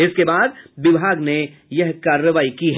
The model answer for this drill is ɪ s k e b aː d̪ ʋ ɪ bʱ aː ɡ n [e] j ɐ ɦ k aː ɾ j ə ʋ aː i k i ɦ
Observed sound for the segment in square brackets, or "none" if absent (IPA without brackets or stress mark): e